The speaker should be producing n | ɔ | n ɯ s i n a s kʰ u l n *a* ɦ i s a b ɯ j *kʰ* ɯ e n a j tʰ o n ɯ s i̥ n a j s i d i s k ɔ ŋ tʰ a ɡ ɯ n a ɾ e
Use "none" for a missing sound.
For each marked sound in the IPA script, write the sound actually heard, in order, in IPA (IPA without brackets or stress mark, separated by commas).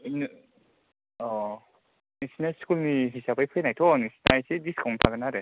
i, pʰ